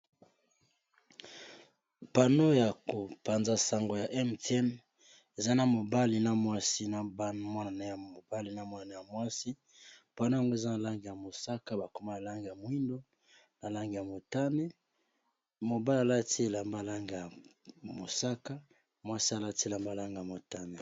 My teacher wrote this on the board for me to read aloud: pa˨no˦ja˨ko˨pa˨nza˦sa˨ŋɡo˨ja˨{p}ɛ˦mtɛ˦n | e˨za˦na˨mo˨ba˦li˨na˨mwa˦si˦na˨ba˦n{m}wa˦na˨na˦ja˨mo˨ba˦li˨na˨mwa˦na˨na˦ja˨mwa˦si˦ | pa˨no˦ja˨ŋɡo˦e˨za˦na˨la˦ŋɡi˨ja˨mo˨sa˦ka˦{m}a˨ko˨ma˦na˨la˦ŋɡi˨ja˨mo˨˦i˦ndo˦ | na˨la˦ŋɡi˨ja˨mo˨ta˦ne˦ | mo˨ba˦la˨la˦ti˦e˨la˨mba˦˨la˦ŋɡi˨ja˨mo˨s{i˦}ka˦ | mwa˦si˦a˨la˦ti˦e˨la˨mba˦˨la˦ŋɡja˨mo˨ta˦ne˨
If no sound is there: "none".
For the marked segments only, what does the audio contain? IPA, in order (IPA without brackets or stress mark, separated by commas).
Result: ʔ, m, b, a˦